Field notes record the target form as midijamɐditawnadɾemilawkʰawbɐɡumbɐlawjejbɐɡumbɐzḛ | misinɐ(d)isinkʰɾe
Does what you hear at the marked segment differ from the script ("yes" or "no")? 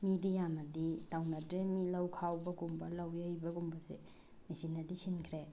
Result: no